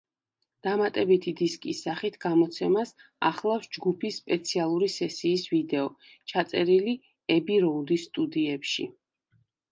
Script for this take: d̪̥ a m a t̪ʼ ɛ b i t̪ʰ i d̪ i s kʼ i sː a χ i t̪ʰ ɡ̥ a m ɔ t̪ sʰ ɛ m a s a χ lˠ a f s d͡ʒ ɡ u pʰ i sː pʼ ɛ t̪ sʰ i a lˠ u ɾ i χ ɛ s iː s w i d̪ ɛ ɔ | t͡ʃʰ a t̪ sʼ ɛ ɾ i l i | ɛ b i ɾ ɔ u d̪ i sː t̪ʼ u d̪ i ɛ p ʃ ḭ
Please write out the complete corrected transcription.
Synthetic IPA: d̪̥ a m a t̪ʼ ɛ b i t̪ʰ i d̪ i s kʼ i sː a χ i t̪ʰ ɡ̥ a m ɔ t̪ sʰ ɛ m a s a χ lˠ a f s d͡ʒ ɡ u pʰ i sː pʼ ɛ t̪ sʰ i a lˠ u ɾ i s ɛ s iː s v i d̪ ɛ ɔ | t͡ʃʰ a t̪ sʼ ɛ ɾ i l i | ɛ b i ɾ ɔ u d̪ i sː t̪ʼ u d̪ i ɛ p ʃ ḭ